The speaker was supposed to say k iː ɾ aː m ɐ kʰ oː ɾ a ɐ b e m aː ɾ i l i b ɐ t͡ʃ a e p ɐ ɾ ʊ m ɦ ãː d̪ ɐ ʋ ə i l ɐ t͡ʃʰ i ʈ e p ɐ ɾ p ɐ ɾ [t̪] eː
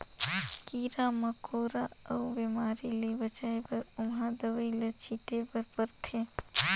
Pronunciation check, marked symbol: incorrect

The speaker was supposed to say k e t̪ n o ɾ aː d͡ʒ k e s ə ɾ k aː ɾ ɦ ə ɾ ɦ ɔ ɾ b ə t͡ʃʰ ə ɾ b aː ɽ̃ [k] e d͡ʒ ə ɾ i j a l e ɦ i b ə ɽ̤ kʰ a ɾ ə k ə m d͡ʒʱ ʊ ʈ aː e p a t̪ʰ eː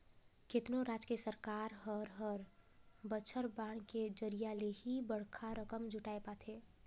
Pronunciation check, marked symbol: correct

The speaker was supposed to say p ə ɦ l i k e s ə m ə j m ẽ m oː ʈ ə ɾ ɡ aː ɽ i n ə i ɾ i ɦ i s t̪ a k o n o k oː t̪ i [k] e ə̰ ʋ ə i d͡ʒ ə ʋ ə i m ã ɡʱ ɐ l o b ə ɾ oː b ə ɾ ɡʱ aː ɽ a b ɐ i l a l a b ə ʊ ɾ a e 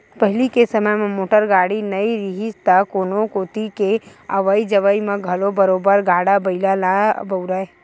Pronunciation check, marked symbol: correct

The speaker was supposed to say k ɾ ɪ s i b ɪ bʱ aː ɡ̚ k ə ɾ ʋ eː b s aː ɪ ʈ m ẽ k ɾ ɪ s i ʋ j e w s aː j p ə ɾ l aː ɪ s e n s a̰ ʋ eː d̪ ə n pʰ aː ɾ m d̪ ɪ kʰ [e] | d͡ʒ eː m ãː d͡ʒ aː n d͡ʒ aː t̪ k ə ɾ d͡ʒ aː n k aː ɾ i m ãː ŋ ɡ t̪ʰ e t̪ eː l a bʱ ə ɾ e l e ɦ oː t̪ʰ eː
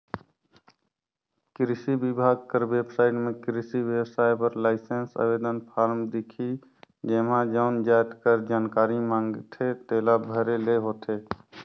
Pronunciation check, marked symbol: incorrect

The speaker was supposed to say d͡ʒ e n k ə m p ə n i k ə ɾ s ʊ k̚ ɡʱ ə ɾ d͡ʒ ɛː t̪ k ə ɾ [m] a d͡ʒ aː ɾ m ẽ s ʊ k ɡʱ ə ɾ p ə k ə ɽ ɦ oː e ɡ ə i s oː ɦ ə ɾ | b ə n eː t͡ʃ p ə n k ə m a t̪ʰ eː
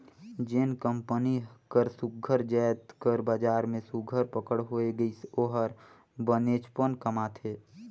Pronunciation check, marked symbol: incorrect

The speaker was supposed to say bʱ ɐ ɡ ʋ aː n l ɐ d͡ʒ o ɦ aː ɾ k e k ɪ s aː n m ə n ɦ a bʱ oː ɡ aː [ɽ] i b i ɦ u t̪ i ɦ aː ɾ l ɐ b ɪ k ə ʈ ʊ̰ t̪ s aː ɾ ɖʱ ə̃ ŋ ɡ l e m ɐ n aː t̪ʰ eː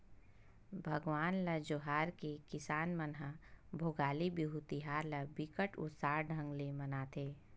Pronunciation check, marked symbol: incorrect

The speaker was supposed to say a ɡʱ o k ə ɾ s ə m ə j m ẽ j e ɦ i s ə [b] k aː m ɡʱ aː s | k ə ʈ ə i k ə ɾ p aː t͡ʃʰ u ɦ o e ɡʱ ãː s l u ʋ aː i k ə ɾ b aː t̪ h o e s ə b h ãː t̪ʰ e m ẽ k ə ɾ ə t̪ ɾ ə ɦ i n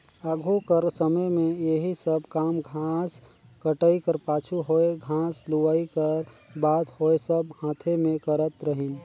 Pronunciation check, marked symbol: correct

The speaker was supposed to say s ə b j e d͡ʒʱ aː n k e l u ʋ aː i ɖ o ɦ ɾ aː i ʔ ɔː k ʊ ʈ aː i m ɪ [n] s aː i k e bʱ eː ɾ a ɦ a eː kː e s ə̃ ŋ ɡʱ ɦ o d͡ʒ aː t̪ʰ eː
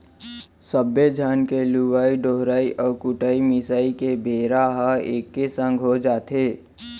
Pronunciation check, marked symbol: incorrect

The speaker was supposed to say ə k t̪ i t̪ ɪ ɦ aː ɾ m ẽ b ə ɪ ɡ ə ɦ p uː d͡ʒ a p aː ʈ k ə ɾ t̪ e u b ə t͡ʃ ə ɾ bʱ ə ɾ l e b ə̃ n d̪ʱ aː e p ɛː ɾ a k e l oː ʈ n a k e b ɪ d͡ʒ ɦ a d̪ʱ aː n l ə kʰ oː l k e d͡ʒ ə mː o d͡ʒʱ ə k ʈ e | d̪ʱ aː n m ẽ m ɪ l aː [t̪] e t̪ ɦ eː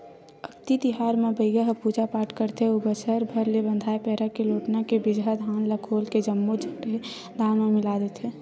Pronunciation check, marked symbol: incorrect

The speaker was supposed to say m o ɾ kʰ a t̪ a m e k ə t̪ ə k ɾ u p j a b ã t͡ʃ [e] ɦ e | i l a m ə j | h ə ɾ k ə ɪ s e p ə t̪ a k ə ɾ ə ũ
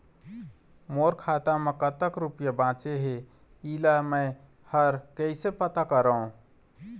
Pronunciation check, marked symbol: correct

